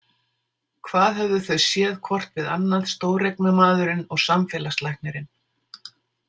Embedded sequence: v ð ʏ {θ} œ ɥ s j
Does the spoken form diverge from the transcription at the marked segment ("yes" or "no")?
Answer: no